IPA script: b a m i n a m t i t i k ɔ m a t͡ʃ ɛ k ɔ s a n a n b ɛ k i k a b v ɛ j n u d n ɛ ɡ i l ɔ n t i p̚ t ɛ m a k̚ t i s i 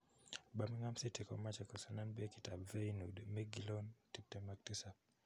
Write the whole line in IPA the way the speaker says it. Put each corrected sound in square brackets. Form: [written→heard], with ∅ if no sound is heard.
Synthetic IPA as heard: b a m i [n→ŋ] a m [t→s] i t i k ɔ m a t͡ʃ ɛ k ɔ s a n a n b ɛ k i [k→t] a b v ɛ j n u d [n→m] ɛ ɡ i l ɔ n t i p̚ t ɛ m a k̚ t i s [i→a]